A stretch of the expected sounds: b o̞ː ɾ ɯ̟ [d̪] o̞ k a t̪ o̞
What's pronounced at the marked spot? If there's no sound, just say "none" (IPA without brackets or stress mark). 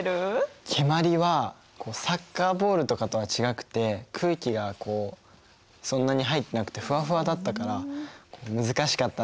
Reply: t̪